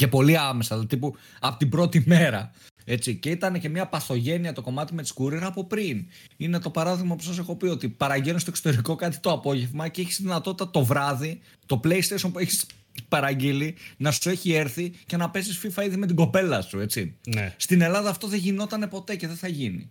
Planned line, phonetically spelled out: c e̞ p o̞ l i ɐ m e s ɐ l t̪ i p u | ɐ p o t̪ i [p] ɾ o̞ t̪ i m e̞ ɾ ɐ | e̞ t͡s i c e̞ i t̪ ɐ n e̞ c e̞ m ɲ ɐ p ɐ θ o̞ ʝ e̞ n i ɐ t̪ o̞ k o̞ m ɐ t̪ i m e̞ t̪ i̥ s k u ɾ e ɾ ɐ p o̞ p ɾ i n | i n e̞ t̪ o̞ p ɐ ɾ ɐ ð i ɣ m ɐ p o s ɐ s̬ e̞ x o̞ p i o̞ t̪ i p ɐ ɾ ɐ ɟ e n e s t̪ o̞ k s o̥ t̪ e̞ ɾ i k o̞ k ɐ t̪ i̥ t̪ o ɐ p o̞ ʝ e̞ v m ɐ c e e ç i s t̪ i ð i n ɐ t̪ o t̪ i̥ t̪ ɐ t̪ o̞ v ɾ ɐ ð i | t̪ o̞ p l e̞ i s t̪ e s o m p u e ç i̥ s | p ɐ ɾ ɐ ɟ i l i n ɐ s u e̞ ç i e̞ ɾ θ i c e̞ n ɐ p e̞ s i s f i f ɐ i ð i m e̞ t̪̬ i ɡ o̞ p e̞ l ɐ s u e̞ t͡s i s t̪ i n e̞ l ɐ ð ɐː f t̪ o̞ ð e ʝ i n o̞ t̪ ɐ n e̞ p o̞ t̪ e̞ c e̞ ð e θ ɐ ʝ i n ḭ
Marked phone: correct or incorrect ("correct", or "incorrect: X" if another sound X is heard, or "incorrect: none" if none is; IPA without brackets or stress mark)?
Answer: incorrect: b